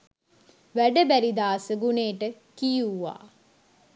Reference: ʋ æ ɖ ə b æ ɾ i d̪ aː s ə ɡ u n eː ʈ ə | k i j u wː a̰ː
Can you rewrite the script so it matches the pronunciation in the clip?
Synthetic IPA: ʋ æ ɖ ə b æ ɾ i d̪ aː s ə ɡ u n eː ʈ ə | k i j u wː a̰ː